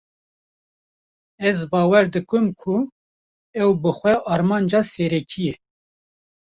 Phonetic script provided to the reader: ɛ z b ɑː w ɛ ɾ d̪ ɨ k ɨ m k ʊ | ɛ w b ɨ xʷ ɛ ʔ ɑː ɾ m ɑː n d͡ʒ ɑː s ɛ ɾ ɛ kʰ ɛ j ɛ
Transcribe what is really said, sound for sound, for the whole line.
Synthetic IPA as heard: ɛ z b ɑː w ɛ ɾ d̪ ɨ k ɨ m kʰ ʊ | ɛ w b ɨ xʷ ɛ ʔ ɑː ɾ m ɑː n d͡ʒ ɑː s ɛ ɾ ɛ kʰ i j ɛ